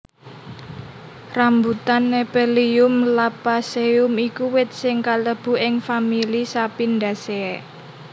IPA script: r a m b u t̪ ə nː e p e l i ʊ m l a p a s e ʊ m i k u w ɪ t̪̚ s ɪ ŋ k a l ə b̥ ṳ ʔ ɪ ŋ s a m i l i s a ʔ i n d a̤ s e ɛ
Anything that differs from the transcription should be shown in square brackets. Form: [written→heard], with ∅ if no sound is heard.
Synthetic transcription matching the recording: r a m b u t̪ [ə→a] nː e p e l i ʊ m l a p a s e ʊ m i k u w ɪ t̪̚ s ɪ ŋ k a l ə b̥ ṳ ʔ ɪ ŋ [s→f] a m i l i s a [ʔ→p] i n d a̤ s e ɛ